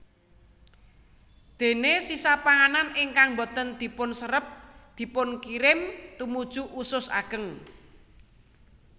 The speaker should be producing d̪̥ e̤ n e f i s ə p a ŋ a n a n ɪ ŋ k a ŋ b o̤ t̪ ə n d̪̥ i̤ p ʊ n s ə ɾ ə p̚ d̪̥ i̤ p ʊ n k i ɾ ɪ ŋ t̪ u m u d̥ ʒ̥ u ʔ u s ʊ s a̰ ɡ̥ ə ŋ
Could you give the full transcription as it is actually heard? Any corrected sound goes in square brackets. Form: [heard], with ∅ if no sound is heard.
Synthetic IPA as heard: d̪̥ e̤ n e [s] i s [a] p a ŋ a n a n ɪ ŋ k a ŋ b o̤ t̪ ə n d̪̥ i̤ p ʊ n s ə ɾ ə p̚ d̪̥ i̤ p ʊ n k i ɾ ɪ [m] t̪ u m u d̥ ʒ̥ u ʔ u s ʊ s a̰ ɡ̥ ə ŋ